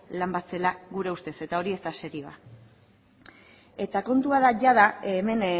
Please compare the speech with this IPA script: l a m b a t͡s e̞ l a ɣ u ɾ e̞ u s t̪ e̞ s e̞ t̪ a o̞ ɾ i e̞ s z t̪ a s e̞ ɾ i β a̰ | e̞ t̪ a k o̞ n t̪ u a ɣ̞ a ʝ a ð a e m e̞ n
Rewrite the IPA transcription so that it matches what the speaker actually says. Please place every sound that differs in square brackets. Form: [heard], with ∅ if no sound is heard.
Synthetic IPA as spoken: l a m b a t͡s e̞ l a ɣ u ɾ e̞ u s t̪ e̞ s e̞ t̪ a o̞ ɾ i e̞ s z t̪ a s e̞ ɾ i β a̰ | e̞ t̪ a k o̞ n t̪ u a [ð̞] a ʝ a ð a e m e̞ n